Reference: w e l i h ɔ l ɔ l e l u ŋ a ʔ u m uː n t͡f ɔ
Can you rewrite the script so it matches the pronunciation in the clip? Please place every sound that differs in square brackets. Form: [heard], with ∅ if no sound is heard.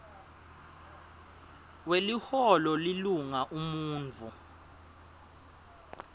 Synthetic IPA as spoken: w e l i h ɔ l ɔ l [i] l u ŋ a ʔ u m uː n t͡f [u]